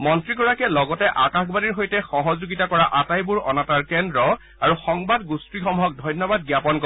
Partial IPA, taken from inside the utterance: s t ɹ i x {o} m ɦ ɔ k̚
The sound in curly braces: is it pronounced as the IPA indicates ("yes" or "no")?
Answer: no